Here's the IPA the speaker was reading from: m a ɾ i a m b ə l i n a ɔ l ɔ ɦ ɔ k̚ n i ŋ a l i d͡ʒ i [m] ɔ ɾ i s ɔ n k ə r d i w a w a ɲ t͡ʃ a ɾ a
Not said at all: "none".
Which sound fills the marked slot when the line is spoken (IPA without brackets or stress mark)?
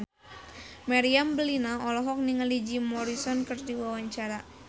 m